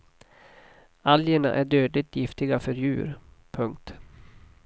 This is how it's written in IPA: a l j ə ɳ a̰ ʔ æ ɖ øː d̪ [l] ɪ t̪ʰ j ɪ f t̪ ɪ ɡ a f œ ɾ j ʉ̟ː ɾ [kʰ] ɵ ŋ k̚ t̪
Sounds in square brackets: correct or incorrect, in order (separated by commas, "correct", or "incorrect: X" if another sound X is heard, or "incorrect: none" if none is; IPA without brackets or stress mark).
correct, incorrect: pʰ